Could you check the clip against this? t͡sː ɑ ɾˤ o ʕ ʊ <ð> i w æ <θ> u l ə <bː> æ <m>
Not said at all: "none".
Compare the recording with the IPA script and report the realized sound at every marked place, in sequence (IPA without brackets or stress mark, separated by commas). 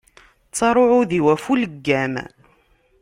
ð, f, ɡː, m